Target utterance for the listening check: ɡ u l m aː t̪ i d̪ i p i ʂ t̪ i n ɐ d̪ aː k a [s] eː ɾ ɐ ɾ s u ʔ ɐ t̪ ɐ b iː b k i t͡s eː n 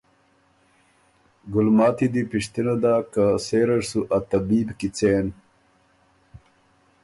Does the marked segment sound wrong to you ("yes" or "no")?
no